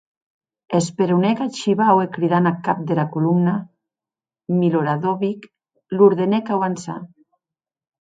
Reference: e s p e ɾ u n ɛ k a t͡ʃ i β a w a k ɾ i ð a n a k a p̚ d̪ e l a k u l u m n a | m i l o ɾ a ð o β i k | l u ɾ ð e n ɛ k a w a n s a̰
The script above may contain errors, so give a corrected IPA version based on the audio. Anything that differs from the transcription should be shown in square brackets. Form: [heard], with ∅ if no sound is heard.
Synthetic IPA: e s p e ɾ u n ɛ k a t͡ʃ i β a w [e] k ɾ i ð a n a k a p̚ d̪ e l a k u l u m n a | m i l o ɾ a ð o β i k | l u ɾ ð e n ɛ k a w a n s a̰